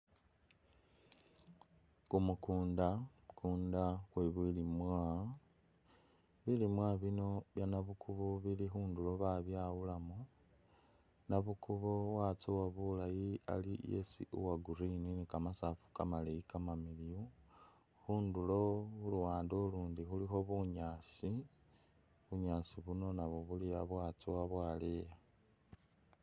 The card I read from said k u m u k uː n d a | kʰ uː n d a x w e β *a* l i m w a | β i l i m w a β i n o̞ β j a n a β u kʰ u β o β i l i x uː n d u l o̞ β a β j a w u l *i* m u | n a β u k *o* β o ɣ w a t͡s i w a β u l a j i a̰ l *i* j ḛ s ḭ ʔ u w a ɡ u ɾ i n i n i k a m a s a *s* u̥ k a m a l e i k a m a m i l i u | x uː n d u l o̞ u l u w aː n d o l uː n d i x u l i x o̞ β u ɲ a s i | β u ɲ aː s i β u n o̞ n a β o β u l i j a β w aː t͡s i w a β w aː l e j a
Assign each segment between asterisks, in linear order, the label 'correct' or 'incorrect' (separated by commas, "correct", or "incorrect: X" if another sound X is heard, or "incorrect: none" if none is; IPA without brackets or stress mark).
incorrect: i, incorrect: a, incorrect: u, correct, incorrect: f